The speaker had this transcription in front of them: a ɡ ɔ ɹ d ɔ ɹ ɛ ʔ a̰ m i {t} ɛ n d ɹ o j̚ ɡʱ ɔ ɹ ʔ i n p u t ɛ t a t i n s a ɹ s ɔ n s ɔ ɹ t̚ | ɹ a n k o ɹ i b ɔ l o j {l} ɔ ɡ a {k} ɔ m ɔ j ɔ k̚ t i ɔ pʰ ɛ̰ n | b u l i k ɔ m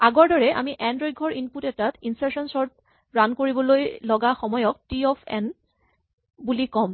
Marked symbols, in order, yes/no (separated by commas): no, yes, no